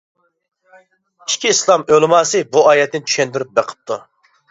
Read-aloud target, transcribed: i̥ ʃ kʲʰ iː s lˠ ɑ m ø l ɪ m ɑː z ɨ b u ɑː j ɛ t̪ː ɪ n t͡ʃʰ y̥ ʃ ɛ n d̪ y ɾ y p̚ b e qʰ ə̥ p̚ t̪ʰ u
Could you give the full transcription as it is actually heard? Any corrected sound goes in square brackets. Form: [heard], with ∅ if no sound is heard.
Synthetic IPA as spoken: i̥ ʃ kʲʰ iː s lˠ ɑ m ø l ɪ m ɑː [s] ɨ b u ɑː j ɛ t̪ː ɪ n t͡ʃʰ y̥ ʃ ɛ n d̪ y ɾ y p̚ b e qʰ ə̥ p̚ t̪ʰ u